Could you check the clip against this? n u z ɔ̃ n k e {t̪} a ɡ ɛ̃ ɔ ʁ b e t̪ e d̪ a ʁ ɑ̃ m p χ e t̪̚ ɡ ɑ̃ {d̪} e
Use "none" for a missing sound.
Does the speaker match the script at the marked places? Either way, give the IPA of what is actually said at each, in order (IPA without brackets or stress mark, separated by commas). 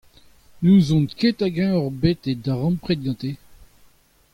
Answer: t̪, t̪